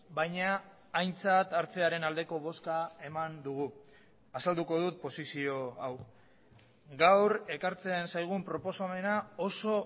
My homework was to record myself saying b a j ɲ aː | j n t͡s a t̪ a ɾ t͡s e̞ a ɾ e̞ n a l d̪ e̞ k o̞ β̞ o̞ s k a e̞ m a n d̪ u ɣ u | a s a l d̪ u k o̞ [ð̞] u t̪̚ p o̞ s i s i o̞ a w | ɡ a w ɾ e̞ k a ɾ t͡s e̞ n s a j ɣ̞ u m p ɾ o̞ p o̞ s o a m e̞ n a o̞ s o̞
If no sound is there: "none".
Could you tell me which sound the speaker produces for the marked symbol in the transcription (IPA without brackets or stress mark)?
ð̞